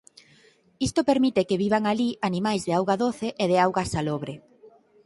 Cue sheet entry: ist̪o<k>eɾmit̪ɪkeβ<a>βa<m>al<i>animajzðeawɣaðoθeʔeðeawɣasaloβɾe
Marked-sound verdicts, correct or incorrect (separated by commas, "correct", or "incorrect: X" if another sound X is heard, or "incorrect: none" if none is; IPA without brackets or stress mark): incorrect: p, incorrect: i, incorrect: ŋ, correct